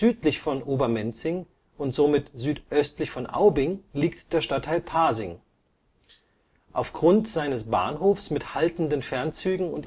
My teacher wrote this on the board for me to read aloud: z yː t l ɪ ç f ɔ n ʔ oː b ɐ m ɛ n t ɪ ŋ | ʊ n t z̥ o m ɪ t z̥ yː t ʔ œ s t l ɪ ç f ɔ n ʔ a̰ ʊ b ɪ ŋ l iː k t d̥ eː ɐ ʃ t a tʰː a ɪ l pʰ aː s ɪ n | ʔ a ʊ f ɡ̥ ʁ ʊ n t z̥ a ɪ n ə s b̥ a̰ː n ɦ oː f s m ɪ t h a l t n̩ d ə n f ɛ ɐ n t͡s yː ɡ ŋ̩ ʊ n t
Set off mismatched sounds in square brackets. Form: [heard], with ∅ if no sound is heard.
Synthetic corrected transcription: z yː t l ɪ ç f ɔ n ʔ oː b ɐ m ɛ n [t͡s] ɪ ŋ | ʊ n t z̥ o m ɪ t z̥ yː t ʔ œ s t l ɪ ç f ɔ n ʔ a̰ ʊ b ɪ ŋ l iː k t d̥ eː ɐ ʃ t a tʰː a ɪ l pʰ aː [z] ɪ [ŋ] | ʔ a ʊ f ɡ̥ ʁ ʊ n t z̥ a ɪ n ə s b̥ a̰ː n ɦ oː f s m ɪ t h a l t n̩ d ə n f ɛ ɐ n t͡s yː ɡ ŋ̩ ʊ n t

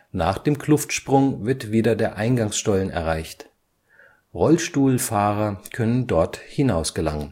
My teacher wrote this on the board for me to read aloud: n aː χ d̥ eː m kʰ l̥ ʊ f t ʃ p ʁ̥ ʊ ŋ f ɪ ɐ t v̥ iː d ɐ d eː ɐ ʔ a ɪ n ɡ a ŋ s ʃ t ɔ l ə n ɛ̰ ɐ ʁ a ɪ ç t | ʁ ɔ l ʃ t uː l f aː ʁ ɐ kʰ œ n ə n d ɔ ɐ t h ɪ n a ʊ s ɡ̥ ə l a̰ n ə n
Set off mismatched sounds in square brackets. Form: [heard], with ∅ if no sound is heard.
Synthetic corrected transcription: n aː χ d̥ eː m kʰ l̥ ʊ f t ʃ p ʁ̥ ʊ ŋ [v] ɪ ɐ t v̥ iː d ɐ d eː ɐ ʔ a ɪ n ɡ a ŋ s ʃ t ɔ l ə n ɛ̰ ɐ ʁ a ɪ ç t | ʁ ɔ l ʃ t uː l f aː ʁ ɐ kʰ œ n ə n d ɔ ɐ t h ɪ n a ʊ s ɡ̥ ə l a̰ [ŋ] ə n

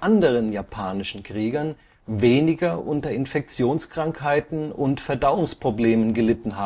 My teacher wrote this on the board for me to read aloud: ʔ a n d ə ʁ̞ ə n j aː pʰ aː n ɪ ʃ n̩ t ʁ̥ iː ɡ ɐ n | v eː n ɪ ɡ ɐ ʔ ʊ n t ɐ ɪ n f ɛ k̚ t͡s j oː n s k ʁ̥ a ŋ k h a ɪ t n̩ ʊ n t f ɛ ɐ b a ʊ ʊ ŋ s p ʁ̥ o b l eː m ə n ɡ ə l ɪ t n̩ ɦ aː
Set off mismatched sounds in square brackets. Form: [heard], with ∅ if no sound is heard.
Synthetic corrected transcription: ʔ a n d ə ʁ̞ ə n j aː pʰ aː n ɪ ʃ n̩ [k] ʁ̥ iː ɡ ɐ n | v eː n ɪ ɡ ɐ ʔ ʊ n t ɐ ɪ n f ɛ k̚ t͡s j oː n s k ʁ̥ a ŋ k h a ɪ t n̩ ʊ n t f ɛ ɐ [d] a ʊ ʊ ŋ s p ʁ̥ o b l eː m ə n ɡ ə l ɪ t n̩ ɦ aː

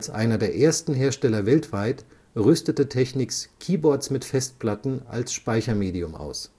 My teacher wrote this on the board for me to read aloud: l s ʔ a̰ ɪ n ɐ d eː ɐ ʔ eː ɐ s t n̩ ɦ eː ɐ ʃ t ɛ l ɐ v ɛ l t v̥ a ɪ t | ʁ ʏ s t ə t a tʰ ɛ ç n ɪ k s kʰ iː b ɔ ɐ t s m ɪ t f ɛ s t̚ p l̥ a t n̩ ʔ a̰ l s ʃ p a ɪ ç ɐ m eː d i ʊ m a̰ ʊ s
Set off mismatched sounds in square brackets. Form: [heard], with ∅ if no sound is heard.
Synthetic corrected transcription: l s ʔ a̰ ɪ n ɐ d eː ɐ ʔ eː ɐ s t n̩ ɦ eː ɐ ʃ t ɛ l ɐ v ɛ l t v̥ a ɪ t | ʁ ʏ s t ə t [ə] tʰ ɛ ç n ɪ k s kʰ iː b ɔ ɐ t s m ɪ t f ɛ s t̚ p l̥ a t n̩ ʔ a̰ l s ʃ p a ɪ ç ɐ m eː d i ʊ m a̰ ʊ s

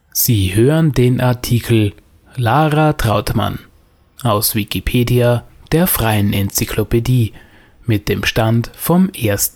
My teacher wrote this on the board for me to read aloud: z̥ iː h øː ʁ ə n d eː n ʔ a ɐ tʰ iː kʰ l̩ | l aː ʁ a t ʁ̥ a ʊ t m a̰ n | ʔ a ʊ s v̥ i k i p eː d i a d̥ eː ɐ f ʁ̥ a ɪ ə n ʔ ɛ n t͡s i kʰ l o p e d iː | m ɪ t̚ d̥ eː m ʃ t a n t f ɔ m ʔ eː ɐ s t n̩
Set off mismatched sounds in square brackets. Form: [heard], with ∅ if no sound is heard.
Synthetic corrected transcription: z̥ iː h øː ʁ ə n d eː n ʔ a ɐ tʰ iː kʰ l̩ | l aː ʁ a t ʁ̥ a ʊ t m a̰ n | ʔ a ʊ s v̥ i k i [pʰ] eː d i a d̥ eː ɐ f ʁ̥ a ɪ ə n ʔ ɛ n t͡s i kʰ l o p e d iː | m ɪ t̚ d̥ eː m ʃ t a n t f ɔ m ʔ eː ɐ s t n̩

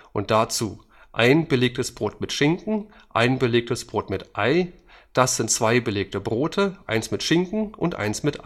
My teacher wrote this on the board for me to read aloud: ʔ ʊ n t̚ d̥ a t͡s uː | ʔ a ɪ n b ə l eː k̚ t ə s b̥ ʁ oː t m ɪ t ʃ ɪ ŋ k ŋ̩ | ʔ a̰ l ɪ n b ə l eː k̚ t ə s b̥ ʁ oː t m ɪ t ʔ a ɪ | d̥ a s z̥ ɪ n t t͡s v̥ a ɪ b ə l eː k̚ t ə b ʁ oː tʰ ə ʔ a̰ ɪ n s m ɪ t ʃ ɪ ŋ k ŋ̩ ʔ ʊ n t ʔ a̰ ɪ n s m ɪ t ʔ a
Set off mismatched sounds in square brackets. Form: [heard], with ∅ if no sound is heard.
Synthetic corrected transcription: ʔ ʊ n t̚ d̥ a t͡s uː | ʔ a ɪ n b ə l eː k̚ t ə s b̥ ʁ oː t m ɪ t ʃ ɪ ŋ k ŋ̩ | ʔ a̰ [∅] ɪ n b ə l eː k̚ t ə s b̥ ʁ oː t m ɪ t ʔ a ɪ | d̥ a s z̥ ɪ n t t͡s v̥ a ɪ b ə l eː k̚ t ə b ʁ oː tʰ ə ʔ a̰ ɪ n s m ɪ t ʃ ɪ ŋ k ŋ̩ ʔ ʊ n t ʔ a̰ ɪ n s m ɪ t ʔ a

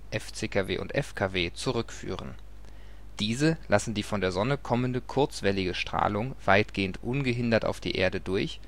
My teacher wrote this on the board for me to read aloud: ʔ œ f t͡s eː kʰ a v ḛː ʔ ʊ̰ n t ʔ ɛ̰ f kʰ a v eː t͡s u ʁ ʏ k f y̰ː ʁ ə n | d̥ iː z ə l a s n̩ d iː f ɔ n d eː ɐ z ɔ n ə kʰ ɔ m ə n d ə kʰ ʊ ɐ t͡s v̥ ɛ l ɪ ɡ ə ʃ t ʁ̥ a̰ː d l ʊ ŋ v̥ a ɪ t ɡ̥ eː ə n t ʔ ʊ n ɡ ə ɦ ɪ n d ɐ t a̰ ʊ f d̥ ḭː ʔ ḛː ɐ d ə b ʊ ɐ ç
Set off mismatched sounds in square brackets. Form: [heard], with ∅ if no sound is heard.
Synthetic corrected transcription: ʔ [ɛ] f t͡s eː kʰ a v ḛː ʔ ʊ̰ n t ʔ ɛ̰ f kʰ a v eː t͡s u ʁ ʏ k f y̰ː ʁ ə n | d̥ iː z ə l a s n̩ d iː f ɔ n d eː ɐ z ɔ n ə kʰ ɔ m ə n d ə kʰ ʊ ɐ t͡s v̥ ɛ l ɪ ɡ ə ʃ t ʁ̥ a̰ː [∅] l ʊ ŋ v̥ a ɪ t ɡ̥ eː ə n t ʔ ʊ n ɡ ə ɦ ɪ n d ɐ t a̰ ʊ f d̥ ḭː ʔ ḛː ɐ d ə [d] ʊ ɐ ç

